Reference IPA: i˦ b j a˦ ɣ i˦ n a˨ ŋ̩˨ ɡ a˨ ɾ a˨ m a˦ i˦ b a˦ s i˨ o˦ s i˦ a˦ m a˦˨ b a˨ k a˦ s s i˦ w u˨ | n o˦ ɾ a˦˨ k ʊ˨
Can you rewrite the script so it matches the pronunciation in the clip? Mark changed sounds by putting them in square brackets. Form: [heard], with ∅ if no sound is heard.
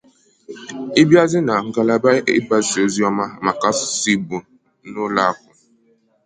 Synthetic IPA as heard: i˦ b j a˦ [z] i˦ n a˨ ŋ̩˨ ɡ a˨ [l] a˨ [b] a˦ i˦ b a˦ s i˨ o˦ [z] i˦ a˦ m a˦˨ [m] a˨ k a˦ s s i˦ [b] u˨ | n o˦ [l] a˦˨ k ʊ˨